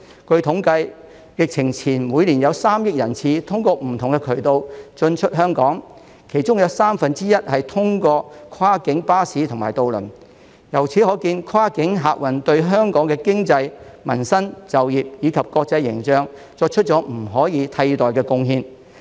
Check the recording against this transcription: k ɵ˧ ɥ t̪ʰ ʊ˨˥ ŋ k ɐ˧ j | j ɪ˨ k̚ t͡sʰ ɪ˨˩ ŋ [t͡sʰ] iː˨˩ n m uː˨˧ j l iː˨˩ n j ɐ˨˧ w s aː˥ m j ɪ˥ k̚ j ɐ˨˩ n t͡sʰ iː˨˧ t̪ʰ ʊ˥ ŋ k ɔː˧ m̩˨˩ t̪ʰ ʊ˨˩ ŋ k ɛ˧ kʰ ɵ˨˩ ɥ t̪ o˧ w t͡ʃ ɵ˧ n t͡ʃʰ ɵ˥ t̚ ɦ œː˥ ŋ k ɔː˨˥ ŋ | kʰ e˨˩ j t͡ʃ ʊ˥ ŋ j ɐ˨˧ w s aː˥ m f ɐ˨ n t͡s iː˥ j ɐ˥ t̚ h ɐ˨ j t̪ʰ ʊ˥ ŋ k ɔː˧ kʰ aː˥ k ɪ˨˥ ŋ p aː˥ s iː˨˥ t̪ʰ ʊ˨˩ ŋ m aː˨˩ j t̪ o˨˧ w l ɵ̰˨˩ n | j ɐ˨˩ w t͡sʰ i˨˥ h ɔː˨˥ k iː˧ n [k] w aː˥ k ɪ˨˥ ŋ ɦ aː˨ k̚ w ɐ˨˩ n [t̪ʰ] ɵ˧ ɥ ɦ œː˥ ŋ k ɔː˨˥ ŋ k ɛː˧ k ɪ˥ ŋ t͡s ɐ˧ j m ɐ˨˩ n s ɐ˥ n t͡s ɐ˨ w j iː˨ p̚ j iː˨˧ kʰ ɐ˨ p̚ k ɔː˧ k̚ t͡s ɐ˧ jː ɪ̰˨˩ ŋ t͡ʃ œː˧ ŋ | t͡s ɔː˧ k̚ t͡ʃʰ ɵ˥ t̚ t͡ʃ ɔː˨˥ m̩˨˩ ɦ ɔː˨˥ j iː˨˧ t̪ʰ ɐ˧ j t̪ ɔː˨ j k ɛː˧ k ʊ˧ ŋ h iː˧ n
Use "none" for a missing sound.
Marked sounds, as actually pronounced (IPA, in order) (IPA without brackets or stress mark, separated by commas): t͡sʰ, kʰ, t̪